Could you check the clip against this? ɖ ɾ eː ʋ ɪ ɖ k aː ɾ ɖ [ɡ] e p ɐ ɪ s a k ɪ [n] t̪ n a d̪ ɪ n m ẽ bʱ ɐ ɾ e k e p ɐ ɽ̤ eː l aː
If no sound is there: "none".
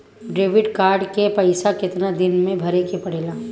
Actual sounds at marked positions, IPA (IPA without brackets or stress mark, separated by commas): k, none